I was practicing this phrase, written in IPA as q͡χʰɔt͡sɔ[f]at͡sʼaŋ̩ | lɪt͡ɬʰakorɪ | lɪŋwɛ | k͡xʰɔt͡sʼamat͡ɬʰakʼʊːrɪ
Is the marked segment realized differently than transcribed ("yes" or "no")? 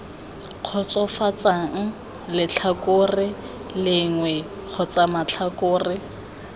no